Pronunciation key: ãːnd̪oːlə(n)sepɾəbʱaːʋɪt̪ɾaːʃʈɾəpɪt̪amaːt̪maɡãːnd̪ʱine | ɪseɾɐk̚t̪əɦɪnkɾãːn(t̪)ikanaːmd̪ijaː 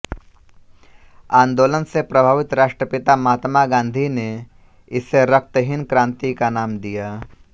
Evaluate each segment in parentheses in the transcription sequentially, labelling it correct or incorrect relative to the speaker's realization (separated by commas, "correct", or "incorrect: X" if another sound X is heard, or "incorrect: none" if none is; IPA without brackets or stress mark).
correct, correct